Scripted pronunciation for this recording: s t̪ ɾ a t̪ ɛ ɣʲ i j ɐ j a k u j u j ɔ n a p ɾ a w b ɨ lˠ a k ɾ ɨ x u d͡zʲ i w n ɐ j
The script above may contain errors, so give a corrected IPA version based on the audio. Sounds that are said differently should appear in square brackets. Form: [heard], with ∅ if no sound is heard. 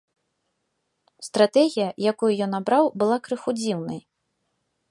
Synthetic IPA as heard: s t̪ ɾ a t̪ ɛ ɣʲ i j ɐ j a k u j u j ɔ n a [b] ɾ a w b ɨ lˠ a k ɾ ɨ x u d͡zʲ i w n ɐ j